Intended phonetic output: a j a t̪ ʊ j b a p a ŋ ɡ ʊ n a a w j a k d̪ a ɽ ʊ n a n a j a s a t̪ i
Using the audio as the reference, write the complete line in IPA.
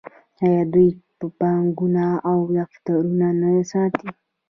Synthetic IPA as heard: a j a d̪ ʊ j p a p a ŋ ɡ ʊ n a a w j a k t̪ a ɾ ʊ n a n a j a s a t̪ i